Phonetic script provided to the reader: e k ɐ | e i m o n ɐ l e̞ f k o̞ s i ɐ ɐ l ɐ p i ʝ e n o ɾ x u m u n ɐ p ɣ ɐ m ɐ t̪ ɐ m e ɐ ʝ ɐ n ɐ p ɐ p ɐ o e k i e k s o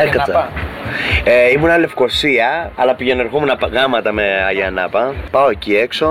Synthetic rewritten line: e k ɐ | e i m u n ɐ l e̞ f k o̞ s i ɐ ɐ l ɐ p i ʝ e n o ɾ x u m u n ɐ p ɣ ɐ m ɐ t̪ ɐ m e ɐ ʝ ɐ n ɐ p ɐ p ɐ o e c i e k s o